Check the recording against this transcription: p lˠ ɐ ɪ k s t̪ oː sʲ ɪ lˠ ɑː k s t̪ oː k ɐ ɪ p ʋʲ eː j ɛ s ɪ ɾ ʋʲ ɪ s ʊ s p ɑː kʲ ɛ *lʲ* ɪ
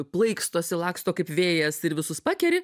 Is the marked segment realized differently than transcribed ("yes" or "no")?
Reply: yes